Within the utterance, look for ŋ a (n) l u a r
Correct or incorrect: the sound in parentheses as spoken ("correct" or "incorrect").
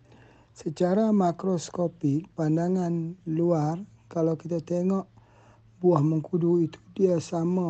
correct